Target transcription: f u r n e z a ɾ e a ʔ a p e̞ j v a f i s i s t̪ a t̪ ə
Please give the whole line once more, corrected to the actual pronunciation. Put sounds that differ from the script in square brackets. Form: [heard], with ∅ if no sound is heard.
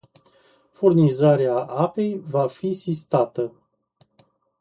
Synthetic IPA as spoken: f u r n [i] z a ɾ e a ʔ a p e̞ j v a f i s i s t̪ a t̪ ə